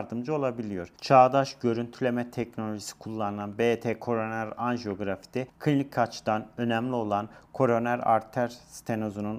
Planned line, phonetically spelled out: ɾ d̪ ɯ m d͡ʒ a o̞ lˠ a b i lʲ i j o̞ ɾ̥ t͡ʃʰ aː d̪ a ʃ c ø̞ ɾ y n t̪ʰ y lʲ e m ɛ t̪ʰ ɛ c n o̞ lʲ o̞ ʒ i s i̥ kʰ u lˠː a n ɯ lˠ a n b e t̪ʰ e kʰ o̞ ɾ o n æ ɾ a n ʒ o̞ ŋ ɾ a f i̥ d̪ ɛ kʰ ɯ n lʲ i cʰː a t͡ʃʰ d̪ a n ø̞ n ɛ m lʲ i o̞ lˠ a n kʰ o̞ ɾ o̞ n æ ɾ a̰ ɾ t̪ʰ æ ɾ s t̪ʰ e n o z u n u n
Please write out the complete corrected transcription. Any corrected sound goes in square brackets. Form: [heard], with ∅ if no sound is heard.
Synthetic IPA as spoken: ɾ d̪ ɯ m d͡ʒ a o̞ lˠ a b i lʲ i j o̞ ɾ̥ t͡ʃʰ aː d̪ a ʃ [ɟ] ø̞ ɾ y n t̪ʰ y lʲ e m ɛ t̪ʰ ɛ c n o̞ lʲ o̞ ʒ i s i̥ kʰ u lˠː a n ɯ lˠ a n b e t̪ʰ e kʰ o̞ ɾ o n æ ɾ a n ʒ o̞ [ɡ] ɾ a f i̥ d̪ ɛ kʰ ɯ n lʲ i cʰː a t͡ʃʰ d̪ a n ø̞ n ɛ m lʲ i o̞ lˠ a n kʰ o̞ ɾ o̞ n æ ɾ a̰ ɾ t̪ʰ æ ɾ s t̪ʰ e n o z u n u n